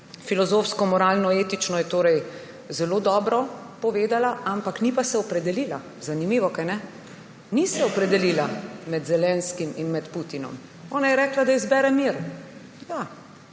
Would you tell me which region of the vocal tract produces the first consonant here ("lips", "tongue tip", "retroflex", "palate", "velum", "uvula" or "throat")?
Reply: lips